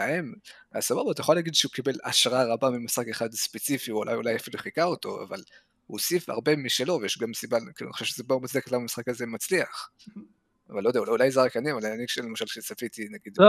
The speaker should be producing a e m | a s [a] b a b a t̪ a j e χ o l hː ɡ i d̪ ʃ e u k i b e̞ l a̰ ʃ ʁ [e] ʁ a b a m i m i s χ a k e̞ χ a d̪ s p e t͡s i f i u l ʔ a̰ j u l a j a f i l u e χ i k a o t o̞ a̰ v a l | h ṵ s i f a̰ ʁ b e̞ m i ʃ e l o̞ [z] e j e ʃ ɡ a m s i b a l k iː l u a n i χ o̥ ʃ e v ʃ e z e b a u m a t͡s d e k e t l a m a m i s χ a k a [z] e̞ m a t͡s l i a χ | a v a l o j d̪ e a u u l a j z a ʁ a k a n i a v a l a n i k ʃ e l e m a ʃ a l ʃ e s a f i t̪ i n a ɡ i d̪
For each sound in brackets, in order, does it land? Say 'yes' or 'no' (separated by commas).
yes, no, no, yes